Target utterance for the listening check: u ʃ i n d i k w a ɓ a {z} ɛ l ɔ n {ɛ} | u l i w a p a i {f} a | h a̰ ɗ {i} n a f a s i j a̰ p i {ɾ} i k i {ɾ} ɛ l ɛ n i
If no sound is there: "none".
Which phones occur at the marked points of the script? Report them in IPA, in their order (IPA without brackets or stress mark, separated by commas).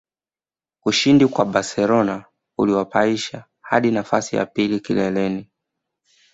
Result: s, a, ʃ, i, l, l